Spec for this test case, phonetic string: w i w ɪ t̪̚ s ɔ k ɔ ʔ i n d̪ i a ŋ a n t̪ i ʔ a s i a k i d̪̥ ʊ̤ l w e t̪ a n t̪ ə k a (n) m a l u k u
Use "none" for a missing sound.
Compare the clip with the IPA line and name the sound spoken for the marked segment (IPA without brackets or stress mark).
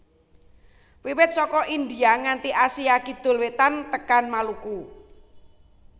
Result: n